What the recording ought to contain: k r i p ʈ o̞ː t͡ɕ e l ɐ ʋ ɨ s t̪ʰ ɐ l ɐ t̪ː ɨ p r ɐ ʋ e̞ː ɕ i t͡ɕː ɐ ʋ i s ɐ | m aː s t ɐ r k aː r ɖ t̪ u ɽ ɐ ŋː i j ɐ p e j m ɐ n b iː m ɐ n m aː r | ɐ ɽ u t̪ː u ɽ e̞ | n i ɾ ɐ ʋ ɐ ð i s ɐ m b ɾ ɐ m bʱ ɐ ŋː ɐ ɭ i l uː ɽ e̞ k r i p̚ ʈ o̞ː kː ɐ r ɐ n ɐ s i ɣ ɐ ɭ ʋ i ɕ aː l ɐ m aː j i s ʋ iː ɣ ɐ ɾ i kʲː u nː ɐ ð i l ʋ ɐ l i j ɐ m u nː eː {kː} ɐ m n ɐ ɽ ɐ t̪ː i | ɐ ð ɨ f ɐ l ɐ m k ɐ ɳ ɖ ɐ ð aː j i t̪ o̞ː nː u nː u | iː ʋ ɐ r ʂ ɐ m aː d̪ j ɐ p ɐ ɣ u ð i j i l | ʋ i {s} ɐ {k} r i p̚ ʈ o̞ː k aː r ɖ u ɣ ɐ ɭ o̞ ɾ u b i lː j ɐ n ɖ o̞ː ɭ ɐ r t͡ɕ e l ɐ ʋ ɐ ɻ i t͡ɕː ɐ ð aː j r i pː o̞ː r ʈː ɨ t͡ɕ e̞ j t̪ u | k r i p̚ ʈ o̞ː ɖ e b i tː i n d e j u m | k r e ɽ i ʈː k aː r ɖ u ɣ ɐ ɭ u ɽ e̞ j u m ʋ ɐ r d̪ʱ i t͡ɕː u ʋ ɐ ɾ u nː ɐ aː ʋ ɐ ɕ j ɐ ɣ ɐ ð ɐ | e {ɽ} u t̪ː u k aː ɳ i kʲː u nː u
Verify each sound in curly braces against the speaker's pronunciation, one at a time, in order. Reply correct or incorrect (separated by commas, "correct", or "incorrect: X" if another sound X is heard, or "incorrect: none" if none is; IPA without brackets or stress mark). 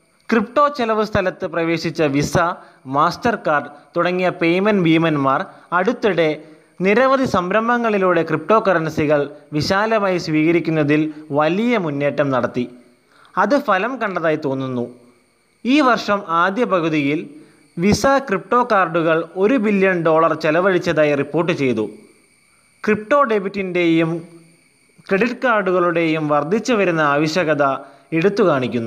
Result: incorrect: ʈː, correct, correct, correct